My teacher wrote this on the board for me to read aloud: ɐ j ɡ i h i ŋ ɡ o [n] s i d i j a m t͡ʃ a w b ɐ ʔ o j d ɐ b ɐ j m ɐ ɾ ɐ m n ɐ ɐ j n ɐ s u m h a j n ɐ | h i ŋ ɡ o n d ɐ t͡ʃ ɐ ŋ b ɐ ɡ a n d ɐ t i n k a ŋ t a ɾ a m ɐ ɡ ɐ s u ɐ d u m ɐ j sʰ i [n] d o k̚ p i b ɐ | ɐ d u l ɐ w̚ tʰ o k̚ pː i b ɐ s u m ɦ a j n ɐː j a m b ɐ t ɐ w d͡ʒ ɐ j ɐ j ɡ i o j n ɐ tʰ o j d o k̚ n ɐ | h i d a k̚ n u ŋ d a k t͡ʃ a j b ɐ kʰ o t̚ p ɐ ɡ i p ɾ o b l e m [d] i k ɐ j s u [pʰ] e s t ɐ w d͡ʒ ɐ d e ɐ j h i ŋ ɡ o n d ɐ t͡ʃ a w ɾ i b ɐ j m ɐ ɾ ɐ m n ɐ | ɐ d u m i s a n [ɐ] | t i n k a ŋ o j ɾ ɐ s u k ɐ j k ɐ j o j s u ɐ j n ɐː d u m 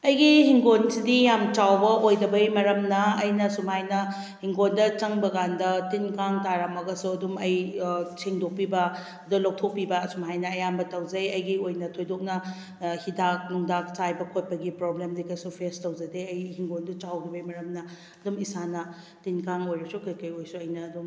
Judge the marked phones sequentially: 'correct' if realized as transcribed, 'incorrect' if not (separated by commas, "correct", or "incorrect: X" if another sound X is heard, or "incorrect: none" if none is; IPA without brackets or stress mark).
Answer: correct, incorrect: ŋ, correct, correct, correct